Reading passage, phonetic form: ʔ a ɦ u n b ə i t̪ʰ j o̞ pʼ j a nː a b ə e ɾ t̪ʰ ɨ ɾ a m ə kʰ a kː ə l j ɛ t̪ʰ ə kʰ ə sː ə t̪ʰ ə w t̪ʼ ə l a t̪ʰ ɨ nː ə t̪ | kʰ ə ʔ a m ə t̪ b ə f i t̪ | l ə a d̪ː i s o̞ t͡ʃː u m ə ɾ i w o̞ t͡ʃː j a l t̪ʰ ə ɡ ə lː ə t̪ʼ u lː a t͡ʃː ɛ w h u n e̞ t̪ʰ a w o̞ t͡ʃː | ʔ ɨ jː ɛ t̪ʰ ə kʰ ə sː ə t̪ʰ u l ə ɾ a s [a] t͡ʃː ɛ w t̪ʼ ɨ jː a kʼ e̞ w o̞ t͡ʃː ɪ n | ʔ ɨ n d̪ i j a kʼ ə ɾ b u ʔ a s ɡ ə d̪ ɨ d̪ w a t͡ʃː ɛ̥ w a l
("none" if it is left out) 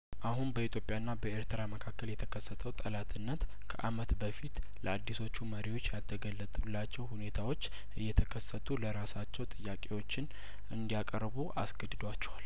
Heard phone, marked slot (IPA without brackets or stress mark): a